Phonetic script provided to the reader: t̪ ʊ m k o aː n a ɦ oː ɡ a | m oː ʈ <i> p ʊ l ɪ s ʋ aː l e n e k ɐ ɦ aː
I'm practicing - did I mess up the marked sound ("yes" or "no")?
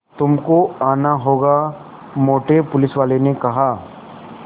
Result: yes